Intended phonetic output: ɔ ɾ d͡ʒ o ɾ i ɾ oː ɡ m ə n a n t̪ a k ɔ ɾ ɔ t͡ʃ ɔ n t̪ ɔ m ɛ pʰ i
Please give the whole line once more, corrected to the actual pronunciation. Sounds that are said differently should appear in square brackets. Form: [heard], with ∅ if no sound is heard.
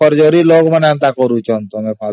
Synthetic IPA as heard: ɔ ɾ d͡ʒ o ɾ i [l] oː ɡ m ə n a n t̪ a k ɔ ɾ [u] t͡ʃ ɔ n t̪ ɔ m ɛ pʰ [a]

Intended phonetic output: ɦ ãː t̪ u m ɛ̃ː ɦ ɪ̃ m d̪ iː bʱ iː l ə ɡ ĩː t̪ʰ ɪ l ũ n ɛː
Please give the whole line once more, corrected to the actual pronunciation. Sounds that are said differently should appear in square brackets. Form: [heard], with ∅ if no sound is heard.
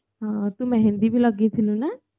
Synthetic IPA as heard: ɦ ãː t̪ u m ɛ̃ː ɦ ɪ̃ [n] d̪ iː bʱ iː l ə ɡ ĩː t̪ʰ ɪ l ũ n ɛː

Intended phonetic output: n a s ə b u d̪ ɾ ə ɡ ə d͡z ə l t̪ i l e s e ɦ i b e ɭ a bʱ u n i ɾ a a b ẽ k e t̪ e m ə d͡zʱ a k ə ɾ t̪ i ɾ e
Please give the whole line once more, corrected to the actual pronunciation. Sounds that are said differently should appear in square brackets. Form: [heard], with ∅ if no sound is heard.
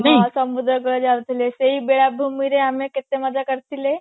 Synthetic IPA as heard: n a s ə [m] u d̪ ɾ ə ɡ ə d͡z [a] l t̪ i l e s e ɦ i b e ɭ a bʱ u [m] i ɾ [e] a [m] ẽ k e t̪ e m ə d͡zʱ a k ə ɾ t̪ i [l] e

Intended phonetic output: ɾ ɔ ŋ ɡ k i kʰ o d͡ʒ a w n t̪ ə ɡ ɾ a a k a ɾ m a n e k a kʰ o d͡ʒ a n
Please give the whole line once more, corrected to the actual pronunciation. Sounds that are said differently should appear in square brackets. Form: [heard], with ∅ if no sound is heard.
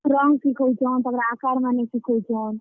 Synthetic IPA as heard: ɾ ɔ ŋ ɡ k i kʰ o d͡ʒ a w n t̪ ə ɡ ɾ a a k a ɾ m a n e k [i] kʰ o d͡ʒ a n

